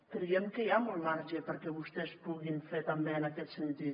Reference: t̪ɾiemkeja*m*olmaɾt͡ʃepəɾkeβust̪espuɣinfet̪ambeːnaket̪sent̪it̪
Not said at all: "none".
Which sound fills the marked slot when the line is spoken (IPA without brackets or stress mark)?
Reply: m